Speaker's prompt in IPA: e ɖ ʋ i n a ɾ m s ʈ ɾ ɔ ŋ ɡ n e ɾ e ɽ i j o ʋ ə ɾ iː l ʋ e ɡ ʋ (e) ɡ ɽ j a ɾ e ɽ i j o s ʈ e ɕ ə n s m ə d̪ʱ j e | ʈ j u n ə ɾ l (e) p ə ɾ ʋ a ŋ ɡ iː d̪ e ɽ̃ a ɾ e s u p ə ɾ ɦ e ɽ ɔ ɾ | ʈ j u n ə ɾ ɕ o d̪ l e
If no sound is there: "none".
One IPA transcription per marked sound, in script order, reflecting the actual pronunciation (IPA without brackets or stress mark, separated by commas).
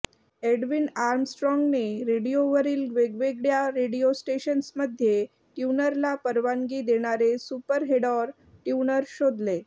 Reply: e, a